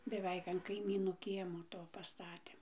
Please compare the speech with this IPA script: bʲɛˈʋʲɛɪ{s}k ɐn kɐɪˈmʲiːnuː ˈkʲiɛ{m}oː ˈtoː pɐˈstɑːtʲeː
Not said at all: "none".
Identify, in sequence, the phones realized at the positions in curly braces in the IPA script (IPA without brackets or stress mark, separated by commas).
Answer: none, m